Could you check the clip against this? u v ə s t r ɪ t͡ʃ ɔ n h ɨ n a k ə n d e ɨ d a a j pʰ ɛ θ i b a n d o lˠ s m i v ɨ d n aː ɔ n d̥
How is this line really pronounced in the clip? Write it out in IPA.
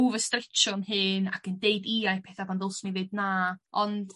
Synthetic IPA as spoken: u v ə s t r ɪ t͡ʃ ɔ n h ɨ n a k ə n d e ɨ d i a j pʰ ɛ θ a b a n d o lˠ s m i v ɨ d n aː ɔ n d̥